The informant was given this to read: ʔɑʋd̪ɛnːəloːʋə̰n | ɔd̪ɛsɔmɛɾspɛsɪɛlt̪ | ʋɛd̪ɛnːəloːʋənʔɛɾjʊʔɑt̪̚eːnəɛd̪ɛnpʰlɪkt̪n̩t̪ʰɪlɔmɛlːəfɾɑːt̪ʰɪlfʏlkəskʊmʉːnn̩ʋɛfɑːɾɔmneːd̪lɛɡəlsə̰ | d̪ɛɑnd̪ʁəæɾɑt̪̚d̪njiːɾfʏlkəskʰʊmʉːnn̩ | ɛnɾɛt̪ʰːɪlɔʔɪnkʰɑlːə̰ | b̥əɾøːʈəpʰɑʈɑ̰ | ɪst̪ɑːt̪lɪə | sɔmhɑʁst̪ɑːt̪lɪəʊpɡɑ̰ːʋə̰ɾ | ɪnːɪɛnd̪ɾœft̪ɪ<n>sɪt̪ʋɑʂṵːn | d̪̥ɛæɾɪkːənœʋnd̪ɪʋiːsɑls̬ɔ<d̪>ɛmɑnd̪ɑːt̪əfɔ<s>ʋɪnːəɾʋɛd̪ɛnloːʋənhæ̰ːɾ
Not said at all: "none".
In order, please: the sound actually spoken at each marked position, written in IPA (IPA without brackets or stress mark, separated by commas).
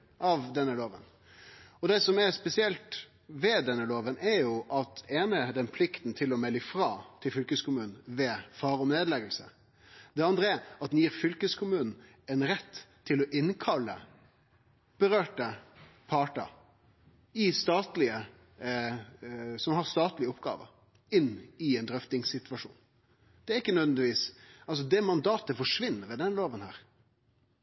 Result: ŋ, d̪, ʂ